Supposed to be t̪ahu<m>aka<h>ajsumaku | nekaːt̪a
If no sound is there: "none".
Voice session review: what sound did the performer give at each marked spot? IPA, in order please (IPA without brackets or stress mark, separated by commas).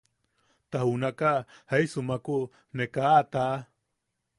n, h